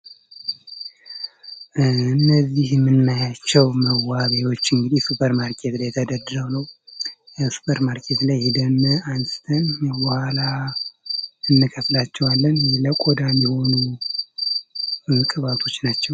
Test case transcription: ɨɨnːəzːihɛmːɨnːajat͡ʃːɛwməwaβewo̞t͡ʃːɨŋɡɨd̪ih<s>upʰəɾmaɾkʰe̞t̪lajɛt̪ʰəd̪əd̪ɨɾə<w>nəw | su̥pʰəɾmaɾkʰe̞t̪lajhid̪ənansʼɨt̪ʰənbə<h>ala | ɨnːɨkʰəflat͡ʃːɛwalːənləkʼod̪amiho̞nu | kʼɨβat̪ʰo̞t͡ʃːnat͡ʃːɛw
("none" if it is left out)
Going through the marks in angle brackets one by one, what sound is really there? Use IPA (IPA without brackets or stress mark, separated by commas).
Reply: s, w, h